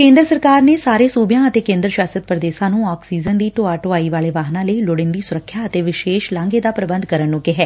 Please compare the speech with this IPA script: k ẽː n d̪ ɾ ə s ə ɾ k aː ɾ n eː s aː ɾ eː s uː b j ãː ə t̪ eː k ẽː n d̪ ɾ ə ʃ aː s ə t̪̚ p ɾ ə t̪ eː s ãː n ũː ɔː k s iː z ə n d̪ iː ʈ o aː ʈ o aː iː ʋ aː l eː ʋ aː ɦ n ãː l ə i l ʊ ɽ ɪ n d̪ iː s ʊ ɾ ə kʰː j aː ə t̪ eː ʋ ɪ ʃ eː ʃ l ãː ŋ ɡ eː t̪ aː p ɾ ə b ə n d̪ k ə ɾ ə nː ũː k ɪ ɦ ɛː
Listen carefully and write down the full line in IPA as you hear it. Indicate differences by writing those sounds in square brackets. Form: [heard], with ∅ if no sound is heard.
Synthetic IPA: k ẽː n d̪ ɾ ə s ə ɾ k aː ɾ n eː s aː ɾ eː s uː b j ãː ə t̪ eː k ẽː n d̪ ɾ ə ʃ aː s ə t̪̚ p ɾ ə [d̪] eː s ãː n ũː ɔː k s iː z ə n d̪ iː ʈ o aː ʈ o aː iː ʋ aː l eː ʋ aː ɦ n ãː l ə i l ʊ ɽ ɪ n d̪ iː s ʊ ɾ ə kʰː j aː ə t̪ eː ʋ ɪ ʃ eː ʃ l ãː ŋ ɡ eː [d̪] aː p ɾ ə b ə n d̪ k ə ɾ ə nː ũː k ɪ ɦ ɛː